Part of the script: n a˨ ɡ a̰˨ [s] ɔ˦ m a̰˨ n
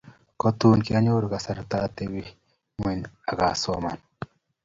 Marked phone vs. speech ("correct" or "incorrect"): correct